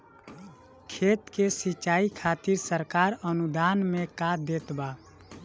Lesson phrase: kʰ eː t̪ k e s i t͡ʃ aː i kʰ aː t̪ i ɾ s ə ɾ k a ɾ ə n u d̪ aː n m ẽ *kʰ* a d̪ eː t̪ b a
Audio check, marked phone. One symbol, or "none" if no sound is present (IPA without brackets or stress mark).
k